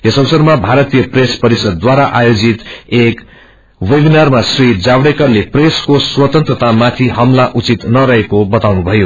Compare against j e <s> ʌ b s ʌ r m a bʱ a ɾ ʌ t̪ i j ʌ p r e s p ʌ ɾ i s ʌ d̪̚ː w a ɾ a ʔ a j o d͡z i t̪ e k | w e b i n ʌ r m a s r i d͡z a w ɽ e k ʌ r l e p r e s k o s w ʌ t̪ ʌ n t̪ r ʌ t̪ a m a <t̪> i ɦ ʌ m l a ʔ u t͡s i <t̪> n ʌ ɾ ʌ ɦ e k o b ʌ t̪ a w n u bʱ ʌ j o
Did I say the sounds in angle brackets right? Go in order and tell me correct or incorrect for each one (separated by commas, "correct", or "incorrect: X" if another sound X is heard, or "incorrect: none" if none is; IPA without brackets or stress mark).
correct, incorrect: t̪ʰ, correct